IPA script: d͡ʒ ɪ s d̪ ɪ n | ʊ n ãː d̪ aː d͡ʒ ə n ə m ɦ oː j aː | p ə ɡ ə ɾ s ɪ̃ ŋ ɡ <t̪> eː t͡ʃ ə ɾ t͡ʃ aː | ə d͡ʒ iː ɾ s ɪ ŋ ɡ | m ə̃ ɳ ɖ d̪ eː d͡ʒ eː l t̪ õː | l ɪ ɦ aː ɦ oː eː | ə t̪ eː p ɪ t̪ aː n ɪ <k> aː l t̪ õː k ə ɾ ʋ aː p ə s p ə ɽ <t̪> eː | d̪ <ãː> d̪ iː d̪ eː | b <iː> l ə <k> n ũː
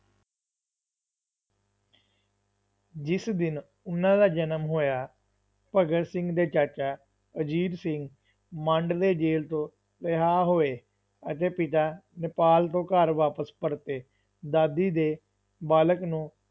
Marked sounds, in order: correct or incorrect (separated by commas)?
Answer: incorrect, incorrect, correct, incorrect, incorrect, correct